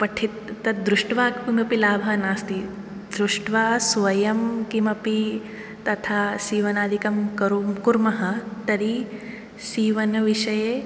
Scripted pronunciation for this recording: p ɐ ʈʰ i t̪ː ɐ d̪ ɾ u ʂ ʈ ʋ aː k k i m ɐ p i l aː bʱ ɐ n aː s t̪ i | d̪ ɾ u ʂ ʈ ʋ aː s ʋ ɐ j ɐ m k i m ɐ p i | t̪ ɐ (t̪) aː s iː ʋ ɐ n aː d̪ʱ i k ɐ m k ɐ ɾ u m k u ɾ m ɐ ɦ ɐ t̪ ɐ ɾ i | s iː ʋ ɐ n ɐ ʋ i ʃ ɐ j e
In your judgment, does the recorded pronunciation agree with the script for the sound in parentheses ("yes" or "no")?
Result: no